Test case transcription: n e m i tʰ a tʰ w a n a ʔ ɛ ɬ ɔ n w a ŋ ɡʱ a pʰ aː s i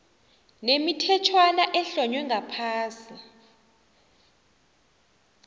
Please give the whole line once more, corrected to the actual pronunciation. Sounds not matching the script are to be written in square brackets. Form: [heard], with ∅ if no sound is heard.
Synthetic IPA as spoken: n e m i tʰ [ɛ] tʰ w a n a ʔ ɛ ɬ ɔ [ɲ] w [ɛ] ŋ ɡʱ a pʰ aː s i